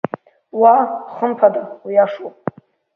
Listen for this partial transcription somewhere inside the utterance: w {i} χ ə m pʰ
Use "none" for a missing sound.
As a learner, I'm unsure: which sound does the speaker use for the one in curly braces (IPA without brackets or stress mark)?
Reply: a